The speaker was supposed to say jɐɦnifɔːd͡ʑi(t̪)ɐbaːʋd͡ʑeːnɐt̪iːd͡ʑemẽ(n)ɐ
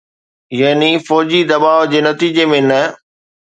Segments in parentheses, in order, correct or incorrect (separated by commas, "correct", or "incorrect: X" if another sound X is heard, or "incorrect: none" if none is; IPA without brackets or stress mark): incorrect: d̪, correct